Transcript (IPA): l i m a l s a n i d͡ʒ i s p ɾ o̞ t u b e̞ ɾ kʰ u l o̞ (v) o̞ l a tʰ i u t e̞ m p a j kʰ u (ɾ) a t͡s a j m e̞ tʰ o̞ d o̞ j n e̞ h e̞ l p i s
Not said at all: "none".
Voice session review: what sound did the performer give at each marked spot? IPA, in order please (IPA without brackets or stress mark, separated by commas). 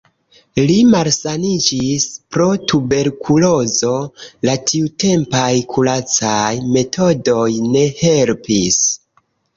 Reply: z, l